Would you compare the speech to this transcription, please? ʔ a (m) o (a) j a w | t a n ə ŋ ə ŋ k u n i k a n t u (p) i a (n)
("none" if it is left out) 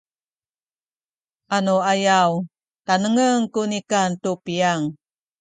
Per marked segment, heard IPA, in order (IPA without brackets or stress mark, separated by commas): n, a, p, ŋ